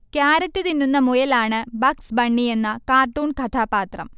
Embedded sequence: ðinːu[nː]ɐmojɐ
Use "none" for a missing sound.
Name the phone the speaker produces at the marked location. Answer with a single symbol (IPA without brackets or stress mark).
nː